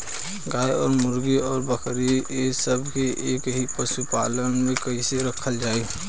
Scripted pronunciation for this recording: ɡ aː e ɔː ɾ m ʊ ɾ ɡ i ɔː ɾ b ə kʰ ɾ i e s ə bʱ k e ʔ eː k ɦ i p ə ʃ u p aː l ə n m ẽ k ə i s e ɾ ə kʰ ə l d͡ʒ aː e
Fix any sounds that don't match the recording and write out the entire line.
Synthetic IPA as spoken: ɡ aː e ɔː ɾ m ʊ ɾ ɡ i ɔː ɾ b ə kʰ ɾ i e s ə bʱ k e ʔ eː k ɦ i p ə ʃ u p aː l ə n m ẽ k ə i s e ɾ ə kʰ ə l d͡ʒ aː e